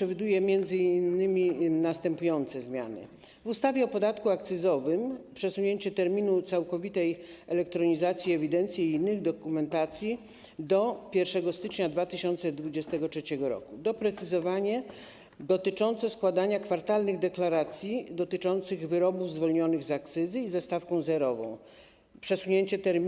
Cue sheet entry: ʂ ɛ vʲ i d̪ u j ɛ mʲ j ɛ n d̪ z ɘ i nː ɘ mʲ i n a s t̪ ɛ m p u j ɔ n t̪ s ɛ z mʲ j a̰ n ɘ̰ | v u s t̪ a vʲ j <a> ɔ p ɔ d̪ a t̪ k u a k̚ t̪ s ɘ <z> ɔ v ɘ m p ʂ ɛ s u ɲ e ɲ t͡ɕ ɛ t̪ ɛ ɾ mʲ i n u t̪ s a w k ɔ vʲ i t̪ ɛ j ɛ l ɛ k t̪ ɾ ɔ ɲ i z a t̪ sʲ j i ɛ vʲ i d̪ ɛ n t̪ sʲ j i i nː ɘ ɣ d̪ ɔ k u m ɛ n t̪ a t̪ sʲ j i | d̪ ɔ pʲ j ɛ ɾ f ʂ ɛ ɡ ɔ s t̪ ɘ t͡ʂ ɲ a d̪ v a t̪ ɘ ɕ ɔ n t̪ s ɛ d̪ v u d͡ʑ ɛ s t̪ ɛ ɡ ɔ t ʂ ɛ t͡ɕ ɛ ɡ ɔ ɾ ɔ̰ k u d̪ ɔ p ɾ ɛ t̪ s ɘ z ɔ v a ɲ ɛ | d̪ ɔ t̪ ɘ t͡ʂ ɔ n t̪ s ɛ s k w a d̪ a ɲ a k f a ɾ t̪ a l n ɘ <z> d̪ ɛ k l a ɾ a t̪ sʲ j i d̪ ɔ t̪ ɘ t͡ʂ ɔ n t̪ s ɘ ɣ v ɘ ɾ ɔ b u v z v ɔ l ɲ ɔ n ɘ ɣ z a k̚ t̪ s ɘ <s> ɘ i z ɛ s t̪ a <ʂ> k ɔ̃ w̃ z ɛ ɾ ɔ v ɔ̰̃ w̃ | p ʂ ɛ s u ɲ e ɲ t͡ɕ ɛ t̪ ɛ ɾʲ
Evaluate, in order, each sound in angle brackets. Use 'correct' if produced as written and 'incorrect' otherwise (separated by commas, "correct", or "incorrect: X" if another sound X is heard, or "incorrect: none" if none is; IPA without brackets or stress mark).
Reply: incorrect: ɛ, correct, incorrect: ɣ, incorrect: z, incorrect: f